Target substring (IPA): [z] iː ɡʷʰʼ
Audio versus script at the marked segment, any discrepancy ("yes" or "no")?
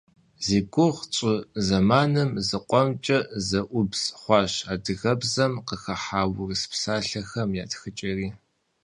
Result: no